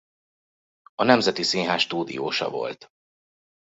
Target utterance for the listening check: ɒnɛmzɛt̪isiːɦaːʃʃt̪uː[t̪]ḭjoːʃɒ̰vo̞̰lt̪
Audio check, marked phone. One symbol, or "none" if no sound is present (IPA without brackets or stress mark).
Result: d̪